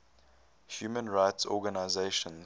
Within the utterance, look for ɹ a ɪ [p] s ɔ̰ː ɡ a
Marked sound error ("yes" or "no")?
yes